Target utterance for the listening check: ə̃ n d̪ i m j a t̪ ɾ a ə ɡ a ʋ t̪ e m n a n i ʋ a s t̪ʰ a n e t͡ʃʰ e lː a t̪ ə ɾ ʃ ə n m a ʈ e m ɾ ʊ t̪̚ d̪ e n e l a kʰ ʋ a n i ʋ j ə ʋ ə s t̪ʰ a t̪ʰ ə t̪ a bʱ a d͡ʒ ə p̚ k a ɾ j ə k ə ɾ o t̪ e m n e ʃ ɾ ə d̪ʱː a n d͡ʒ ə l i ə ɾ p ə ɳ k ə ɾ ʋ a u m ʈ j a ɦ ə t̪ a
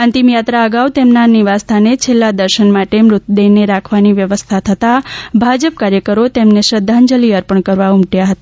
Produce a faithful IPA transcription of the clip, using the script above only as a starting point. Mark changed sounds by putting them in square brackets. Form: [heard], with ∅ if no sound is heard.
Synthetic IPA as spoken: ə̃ n [t̪] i m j a t̪ ɾ a ə ɡ a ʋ t̪ e m n a n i ʋ a s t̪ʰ a n e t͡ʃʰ e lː a [d̪] ə ɾ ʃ ə n m a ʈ e m ɾ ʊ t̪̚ d̪ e n e [ɾ] a kʰ ʋ a n i ʋ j ə ʋ ə s t̪ʰ a t̪ʰ ə t̪ a bʱ a d͡ʒ ə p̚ k a ɾ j ə k ə ɾ o t̪ e m n e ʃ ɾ ə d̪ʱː a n d͡ʒ ə l i ə ɾ p ə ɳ k ə ɾ ʋ a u m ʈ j a ɦ ə t̪ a